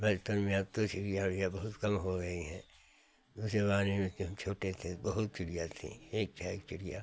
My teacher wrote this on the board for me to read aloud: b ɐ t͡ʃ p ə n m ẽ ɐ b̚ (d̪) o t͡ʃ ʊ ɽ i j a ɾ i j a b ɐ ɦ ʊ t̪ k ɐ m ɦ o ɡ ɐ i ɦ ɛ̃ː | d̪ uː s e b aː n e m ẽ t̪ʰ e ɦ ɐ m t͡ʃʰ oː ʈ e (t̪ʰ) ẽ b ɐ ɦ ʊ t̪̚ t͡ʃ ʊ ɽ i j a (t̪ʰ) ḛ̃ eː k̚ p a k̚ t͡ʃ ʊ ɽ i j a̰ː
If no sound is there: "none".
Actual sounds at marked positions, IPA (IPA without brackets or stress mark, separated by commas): t̪, t̪ʰ, t̪ʰ